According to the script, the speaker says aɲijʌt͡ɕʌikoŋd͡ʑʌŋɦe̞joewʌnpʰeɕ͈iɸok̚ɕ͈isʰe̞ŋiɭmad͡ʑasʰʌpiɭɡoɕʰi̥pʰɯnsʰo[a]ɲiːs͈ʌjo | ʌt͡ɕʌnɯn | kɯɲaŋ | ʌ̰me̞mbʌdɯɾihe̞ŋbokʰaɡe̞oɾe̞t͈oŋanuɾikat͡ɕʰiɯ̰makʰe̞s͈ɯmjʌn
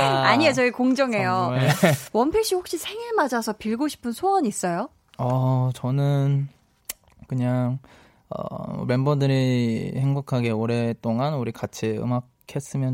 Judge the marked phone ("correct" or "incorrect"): incorrect